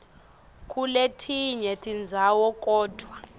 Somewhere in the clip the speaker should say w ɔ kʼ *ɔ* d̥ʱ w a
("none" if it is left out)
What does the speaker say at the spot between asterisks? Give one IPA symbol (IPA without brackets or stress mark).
ɔː